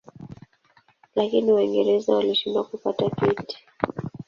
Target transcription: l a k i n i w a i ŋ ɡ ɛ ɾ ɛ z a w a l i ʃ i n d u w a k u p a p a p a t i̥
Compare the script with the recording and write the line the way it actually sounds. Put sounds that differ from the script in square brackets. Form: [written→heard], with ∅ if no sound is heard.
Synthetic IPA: l a k i n i w a i ŋ ɡ ɛ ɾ ɛ z a w a l i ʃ i n d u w a k u p a [p→t] a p [a→i] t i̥